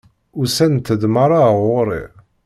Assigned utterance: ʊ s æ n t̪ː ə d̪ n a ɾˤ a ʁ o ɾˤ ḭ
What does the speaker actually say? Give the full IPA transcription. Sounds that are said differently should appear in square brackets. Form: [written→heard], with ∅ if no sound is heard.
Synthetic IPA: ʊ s æ n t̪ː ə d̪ [n→m] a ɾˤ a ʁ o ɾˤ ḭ

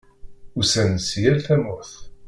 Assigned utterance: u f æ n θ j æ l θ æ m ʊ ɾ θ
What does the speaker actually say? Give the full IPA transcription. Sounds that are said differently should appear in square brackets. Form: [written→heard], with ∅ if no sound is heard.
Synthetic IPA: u [f→s] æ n [θ→s] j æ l θ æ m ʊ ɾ θ

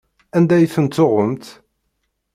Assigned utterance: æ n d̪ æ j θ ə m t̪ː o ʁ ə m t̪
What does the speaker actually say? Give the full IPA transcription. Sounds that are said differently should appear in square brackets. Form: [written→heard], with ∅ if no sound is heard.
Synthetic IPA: æ n d̪ æ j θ ə [m→n] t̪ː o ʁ ə m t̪

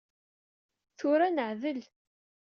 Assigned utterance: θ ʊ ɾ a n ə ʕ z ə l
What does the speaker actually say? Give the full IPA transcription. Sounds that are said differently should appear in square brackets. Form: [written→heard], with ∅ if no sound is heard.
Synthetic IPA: θ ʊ ɾ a n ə ʕ [z→ð] ə l

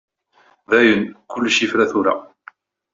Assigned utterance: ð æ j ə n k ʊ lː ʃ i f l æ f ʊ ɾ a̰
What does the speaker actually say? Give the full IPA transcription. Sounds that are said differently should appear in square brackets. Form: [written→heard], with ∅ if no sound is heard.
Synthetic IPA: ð æ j ə n k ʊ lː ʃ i f [l→ɾ] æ [f→θ] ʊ ɾ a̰

